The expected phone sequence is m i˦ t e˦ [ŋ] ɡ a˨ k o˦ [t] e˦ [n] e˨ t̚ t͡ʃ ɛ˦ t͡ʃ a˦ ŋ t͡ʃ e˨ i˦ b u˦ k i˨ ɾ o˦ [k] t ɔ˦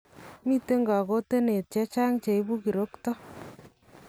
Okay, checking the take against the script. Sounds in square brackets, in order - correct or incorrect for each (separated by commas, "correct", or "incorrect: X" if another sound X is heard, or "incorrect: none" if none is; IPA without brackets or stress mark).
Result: correct, correct, correct, correct